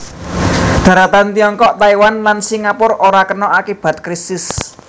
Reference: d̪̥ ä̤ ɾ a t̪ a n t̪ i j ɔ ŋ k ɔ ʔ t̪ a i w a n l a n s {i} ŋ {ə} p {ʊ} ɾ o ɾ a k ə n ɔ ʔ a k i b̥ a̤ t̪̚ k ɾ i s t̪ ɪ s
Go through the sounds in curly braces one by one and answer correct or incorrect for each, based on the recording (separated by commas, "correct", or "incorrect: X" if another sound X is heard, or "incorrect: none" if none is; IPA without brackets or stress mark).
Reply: correct, incorrect: a, correct